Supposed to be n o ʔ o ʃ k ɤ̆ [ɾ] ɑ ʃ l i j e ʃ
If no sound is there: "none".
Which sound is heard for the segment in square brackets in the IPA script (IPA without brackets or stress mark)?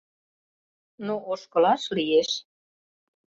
l